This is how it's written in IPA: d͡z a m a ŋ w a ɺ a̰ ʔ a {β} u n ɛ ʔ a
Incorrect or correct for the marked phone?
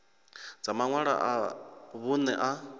correct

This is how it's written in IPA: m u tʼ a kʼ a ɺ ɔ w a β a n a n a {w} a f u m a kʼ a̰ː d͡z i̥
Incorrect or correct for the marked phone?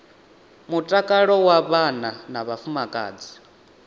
incorrect: β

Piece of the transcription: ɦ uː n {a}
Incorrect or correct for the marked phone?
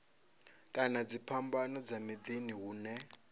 incorrect: ɛ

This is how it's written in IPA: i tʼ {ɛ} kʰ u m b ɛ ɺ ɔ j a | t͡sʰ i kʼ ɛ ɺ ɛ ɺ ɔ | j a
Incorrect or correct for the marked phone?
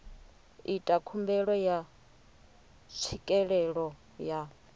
incorrect: a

